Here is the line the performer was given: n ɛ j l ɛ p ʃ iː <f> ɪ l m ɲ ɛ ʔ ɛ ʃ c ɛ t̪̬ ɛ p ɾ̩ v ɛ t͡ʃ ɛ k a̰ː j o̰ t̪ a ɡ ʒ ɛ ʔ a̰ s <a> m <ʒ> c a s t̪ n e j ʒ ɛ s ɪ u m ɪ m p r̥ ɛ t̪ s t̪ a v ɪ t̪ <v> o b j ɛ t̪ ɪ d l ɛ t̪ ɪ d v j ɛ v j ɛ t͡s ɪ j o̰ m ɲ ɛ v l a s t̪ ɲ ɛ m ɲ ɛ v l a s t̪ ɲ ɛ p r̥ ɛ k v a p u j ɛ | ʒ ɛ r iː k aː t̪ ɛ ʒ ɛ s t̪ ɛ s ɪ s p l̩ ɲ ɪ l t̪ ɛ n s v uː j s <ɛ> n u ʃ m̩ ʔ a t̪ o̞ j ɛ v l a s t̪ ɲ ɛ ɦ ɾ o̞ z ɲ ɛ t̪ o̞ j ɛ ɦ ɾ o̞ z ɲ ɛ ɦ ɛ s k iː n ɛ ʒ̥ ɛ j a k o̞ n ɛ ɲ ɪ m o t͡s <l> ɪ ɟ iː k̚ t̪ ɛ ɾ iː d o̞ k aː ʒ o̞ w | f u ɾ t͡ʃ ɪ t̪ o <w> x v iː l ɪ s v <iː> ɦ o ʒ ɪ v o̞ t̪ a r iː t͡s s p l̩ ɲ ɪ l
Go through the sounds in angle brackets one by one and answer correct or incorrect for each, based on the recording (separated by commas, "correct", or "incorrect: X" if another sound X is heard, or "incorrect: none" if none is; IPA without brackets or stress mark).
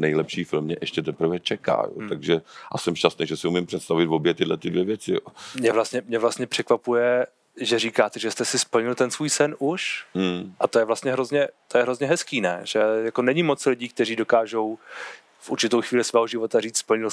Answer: correct, incorrect: ɛ, incorrect: ʃ, correct, correct, correct, correct, incorrect: ɛː